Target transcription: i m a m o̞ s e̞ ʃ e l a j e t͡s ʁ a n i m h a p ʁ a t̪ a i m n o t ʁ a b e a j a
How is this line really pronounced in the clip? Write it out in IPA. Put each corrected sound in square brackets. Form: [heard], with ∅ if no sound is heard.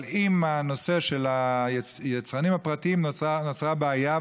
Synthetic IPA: i m a [n] o̞ s e̞ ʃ e l a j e t͡s ʁ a n i m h a p ʁ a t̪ [i] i m n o [t͡s] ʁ a b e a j a